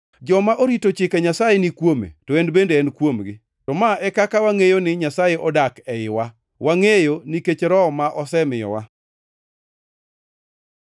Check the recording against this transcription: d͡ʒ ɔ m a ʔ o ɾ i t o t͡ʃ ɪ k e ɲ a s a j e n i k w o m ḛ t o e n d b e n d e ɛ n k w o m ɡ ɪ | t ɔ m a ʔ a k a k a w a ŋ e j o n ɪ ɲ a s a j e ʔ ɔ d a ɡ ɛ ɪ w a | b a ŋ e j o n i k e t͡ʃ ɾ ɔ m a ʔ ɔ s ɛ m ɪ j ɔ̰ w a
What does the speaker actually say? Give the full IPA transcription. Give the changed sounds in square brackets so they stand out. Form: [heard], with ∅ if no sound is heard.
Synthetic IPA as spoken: d͡ʒ ɔ m a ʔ o ɾ i t o t͡ʃ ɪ k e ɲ a s a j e n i k w o m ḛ t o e n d b e n d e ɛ n k w o m ɡ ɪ | t ɔ m a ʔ [ɛ] k a k a w a ŋ e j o n ɪ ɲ a s a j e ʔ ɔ d a [k] ɛ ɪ w a | [w] a ŋ e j o n i k e t͡ʃ ɾ ɔ m a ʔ ɔ s ɛ m ɪ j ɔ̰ w a